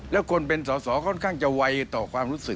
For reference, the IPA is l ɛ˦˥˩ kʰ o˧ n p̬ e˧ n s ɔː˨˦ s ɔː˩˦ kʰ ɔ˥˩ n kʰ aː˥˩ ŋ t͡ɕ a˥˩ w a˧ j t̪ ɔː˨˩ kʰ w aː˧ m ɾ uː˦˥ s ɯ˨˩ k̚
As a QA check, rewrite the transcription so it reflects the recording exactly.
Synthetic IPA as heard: l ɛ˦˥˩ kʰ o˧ n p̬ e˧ n s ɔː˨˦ s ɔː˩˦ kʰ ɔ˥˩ n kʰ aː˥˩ ŋ t͡ɕ a˨ w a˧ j t̪ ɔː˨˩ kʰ w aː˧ m ɾ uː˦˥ s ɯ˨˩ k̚

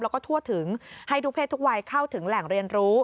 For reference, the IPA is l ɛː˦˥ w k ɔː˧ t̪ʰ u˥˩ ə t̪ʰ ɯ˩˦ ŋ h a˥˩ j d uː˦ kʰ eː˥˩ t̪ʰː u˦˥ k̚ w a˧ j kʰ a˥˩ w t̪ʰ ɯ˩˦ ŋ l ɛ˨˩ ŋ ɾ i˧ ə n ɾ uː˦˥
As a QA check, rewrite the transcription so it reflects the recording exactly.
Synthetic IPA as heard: l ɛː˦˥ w k ɔː˥˩ t̪ʰ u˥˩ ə t̪ʰ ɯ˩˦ ŋ h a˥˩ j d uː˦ pʰ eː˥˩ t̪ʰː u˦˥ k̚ w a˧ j kʰ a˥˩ w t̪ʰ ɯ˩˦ ŋ l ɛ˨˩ ŋ ɾ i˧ ə n ɾ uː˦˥

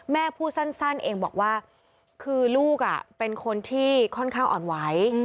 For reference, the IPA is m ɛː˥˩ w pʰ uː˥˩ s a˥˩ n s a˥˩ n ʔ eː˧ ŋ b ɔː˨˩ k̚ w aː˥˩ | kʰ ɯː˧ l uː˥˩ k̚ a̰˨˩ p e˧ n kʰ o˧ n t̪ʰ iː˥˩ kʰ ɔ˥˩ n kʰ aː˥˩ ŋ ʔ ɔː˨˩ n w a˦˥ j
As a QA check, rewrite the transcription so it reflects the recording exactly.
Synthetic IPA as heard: m ɛː˥˩ pʰ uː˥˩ s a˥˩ n s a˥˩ n ʔ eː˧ ŋ b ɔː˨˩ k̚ w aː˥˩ | kʰ ɯː˧ l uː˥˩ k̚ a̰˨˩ p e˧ n kʰ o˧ n t̪ʰ iː˥˩ kʰ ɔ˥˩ n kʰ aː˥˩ ŋ ʔ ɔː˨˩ n w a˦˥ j

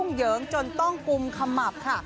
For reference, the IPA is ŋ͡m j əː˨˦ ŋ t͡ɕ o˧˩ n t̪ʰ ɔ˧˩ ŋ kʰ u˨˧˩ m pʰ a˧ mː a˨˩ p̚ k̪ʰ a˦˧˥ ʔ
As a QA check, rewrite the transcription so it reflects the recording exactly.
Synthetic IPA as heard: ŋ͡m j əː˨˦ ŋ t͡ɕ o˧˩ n t̪ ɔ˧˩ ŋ k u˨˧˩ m kʰ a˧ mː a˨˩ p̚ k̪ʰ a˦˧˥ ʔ

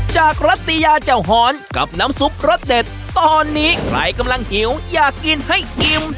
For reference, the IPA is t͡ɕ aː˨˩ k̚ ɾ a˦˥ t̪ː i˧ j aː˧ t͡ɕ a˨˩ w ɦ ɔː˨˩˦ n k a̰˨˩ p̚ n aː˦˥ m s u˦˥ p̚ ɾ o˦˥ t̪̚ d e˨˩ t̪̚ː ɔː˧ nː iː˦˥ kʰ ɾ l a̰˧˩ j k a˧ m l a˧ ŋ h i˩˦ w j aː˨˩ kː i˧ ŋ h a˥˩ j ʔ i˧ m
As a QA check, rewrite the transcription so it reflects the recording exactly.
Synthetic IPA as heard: t͡ɕ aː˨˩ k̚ ɾ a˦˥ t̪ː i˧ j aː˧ t͡ɕ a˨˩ w ɦ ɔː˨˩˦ n k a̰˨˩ p̚ n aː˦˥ m s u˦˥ p̚ ɾ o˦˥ t̪̚ d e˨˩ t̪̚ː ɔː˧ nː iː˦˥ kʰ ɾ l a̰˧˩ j k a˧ m l a˧ ŋ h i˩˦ w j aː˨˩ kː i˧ n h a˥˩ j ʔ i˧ m

